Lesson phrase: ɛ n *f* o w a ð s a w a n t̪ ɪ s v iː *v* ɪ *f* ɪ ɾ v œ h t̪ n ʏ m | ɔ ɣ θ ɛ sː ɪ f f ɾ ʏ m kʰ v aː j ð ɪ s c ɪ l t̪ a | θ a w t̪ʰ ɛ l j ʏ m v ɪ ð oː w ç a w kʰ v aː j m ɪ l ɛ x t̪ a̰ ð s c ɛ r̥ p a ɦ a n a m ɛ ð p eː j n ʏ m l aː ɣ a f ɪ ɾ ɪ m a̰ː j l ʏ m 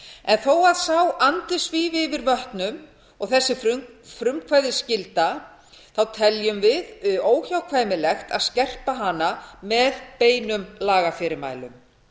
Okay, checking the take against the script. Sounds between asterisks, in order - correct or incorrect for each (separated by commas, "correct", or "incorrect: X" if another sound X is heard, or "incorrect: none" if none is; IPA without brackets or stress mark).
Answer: incorrect: θ, correct, incorrect: v